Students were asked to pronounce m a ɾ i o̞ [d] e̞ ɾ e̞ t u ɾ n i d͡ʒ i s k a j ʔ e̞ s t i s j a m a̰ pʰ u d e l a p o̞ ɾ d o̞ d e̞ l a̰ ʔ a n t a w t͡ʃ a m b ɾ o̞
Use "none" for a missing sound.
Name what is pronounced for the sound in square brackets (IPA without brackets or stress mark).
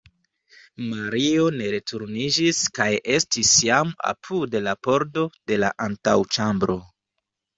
n